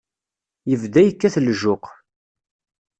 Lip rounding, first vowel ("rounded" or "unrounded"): unrounded